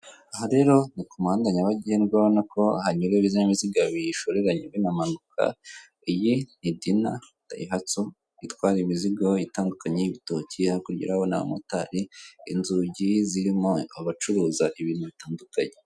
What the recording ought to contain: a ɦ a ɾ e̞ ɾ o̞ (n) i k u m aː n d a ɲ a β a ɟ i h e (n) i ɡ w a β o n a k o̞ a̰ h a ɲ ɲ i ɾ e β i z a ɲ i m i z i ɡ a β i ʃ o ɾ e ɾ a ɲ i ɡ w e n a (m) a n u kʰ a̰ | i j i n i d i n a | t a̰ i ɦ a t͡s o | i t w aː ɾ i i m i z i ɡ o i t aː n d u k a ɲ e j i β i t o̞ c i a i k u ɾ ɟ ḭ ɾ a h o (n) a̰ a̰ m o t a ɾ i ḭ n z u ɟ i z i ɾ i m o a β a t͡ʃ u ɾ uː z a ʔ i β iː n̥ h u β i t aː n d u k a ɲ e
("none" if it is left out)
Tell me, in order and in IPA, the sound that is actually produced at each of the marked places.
n, n, m, n

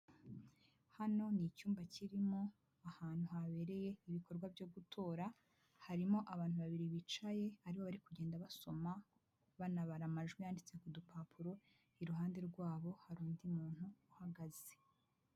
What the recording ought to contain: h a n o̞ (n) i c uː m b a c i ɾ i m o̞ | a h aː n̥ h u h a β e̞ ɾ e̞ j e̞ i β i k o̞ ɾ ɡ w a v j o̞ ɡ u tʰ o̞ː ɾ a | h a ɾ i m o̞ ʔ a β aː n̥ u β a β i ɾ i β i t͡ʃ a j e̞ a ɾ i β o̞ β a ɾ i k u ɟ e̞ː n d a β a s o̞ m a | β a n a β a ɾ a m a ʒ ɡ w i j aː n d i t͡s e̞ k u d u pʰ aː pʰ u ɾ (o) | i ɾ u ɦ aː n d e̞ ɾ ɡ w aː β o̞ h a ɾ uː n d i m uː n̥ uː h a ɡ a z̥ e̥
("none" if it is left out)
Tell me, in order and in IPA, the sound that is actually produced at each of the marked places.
n, o

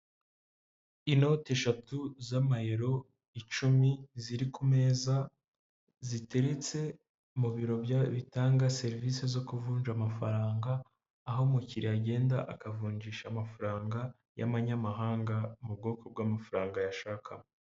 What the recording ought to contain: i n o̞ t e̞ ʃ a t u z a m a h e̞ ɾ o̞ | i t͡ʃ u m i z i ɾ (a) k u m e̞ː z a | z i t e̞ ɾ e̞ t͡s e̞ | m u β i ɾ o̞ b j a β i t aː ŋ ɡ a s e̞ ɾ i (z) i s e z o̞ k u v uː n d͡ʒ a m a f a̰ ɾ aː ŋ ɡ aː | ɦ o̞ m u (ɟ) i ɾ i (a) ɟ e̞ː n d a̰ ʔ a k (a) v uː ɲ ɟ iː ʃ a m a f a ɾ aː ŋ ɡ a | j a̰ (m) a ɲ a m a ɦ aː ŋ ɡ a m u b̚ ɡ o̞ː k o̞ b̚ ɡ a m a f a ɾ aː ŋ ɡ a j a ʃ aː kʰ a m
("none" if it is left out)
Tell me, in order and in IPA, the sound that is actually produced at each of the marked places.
i, v, c, a, a, m

